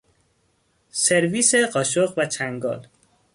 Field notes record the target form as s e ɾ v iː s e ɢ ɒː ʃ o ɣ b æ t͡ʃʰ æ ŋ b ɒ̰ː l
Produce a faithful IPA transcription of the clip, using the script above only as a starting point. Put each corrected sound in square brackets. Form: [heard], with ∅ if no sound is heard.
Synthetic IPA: s e ɾ v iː s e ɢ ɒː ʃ o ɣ [v] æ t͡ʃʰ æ ŋ [ɡ] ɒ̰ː l